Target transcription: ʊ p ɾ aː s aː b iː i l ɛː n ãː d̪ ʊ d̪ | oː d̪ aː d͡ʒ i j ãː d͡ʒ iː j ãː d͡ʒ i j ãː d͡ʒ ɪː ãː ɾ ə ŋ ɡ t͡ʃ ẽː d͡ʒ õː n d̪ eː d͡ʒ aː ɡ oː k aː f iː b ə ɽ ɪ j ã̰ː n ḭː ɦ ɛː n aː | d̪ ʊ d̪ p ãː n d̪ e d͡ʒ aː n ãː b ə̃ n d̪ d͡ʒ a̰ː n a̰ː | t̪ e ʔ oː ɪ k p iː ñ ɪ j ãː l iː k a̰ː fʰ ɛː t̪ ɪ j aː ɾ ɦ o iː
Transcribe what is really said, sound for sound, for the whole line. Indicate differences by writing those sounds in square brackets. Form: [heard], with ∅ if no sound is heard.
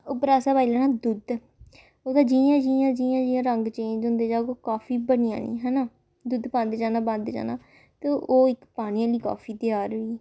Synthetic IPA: ʊ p ɾ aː s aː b [aː] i l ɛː n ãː d̪ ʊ d̪ | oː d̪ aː d͡ʒ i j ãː d͡ʒ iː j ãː d͡ʒ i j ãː d͡ʒ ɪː ãː ɾ ə ŋ ɡ t͡ʃ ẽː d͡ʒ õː n d̪ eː d͡ʒ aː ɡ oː k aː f iː b ə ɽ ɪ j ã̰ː n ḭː ɦ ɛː n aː | d̪ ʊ d̪ p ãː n d̪ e d͡ʒ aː n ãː b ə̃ n d̪ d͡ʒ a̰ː n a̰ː | t̪ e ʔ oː ɪ k p [aː] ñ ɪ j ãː l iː k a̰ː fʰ [iː] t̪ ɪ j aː ɾ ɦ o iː